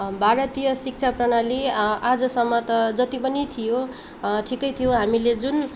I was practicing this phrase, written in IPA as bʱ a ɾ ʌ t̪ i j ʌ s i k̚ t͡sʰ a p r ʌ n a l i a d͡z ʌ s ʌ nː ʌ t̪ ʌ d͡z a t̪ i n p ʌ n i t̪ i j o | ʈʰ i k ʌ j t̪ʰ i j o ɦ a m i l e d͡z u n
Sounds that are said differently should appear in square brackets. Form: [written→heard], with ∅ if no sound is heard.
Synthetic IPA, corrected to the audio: bʱ a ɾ ʌ t̪ i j ʌ s i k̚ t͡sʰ a p r ʌ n a l i a d͡z ʌ s ʌ [nː→mː] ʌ t̪ ʌ d͡z [a→ʌ] t̪ i [n→∅] p ʌ n i [t̪→t̪ʰ] i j o | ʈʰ i k ʌ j t̪ʰ i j o ɦ a m i l e d͡z u n